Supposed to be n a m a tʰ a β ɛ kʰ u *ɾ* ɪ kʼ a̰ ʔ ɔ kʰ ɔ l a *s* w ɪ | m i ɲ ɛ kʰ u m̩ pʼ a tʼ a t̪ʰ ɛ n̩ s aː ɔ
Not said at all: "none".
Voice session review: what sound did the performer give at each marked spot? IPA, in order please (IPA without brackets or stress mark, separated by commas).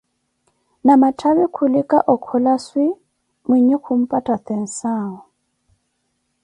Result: l, s